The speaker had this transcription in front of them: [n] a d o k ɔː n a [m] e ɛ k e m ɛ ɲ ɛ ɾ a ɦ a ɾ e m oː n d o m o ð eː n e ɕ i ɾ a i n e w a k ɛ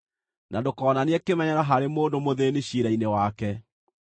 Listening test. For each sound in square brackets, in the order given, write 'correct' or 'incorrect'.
correct, incorrect: n

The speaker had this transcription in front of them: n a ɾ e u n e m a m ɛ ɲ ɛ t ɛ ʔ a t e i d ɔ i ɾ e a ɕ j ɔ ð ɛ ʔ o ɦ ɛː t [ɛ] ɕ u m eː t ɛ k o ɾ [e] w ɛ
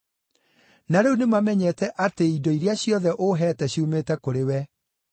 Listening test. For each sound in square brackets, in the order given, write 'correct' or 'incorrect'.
correct, correct

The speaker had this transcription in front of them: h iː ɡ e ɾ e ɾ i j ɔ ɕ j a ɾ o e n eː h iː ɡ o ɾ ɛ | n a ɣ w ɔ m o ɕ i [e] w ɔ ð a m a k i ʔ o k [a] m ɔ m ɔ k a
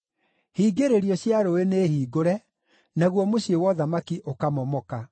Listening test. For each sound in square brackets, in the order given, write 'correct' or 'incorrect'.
correct, correct

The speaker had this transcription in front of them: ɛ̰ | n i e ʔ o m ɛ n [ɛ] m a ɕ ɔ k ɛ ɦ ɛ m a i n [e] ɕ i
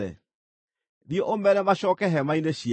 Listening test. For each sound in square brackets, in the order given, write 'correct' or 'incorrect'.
correct, correct

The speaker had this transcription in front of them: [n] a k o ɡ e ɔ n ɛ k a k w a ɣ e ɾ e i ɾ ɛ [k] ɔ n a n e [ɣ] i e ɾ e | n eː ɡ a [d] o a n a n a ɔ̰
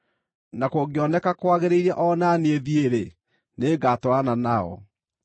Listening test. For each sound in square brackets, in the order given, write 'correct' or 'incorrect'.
correct, incorrect: ʔ, incorrect: ð, incorrect: t

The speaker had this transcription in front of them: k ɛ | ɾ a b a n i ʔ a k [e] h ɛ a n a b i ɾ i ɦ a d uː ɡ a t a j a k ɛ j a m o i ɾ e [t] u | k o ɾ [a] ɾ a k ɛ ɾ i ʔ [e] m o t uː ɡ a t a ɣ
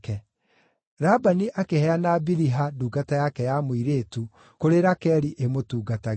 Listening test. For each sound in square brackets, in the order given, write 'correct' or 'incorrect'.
correct, correct, incorrect: e, correct

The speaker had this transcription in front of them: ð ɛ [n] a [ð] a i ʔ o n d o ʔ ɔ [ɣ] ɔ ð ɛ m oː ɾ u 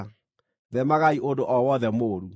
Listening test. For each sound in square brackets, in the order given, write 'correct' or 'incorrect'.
incorrect: m, incorrect: ɣ, incorrect: w

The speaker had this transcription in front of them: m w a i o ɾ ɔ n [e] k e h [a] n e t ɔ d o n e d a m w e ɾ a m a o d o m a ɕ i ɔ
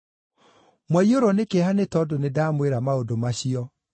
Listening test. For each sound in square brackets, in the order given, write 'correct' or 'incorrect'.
correct, correct

